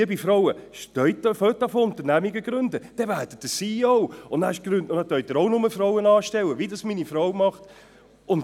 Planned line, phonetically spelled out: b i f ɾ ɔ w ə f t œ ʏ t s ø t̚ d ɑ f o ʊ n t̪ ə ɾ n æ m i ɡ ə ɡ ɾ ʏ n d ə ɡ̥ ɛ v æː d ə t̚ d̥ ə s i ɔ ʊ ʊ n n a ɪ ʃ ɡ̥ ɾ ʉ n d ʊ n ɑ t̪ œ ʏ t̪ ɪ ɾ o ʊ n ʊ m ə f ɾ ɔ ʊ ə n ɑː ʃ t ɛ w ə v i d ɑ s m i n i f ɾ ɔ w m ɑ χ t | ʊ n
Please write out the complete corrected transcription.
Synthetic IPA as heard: b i f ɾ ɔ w ə ʃ t œ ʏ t f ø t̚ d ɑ f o ʊ n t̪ ə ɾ n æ m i ɡ ə ɡ ɾ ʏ n d ə d̥ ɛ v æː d ə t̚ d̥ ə s i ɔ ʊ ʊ n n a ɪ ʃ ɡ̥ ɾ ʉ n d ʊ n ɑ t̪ œ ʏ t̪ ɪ ɾ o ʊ n ʊ m ə f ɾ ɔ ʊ ə n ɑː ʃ t ɛ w ə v i d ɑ s m i n i f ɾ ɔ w m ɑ χ t | ʊ n